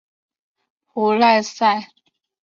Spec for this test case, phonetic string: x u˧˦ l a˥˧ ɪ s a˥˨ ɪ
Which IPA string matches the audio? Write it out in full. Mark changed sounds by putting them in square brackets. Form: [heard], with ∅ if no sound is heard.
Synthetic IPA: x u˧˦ l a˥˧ ɪ s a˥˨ ɪ